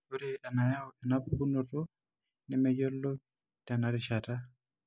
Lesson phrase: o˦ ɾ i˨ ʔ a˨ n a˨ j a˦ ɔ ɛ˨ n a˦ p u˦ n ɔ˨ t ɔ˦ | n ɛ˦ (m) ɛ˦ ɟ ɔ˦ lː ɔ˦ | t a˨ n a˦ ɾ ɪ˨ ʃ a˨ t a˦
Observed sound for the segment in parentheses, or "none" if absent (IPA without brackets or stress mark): m